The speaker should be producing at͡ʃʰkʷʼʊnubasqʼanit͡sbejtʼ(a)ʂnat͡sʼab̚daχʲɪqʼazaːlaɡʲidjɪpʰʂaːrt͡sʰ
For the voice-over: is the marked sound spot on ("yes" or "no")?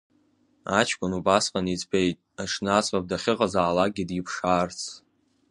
yes